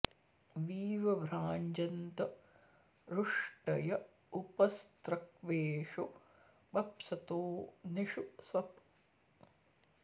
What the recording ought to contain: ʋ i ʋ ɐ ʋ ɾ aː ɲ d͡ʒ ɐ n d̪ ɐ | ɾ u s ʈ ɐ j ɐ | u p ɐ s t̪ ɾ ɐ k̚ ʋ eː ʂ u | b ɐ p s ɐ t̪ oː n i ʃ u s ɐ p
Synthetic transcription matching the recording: ʋ iː ʋ ɐ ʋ ɾ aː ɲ d͡ʒ ɐ n t̪ ɐ | ɾ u ʂ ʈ ɐ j ɐ | u p ɐ s t̪ ɾ ɐ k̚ ʋ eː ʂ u | b ɐ p s ɐ t̪ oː n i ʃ u s ɐ p